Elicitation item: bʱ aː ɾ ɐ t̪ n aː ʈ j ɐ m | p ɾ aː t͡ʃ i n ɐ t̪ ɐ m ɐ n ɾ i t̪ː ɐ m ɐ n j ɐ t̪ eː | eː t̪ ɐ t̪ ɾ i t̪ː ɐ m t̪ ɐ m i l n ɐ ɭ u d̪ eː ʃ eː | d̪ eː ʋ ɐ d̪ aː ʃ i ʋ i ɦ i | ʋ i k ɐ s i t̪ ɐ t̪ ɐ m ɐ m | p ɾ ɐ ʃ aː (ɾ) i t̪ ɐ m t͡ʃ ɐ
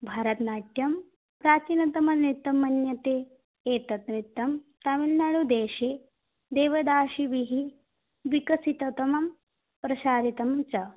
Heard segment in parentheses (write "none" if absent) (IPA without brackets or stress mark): ɾ